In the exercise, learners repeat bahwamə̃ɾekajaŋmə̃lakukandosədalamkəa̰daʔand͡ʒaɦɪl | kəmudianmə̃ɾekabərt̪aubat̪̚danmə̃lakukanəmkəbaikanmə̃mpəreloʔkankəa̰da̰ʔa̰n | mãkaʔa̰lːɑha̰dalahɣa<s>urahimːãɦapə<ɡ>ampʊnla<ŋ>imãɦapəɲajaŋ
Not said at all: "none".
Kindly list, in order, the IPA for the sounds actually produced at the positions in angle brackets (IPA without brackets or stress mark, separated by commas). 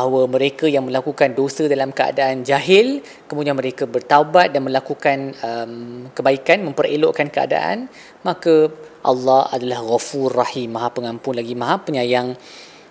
f, ŋ, ɡ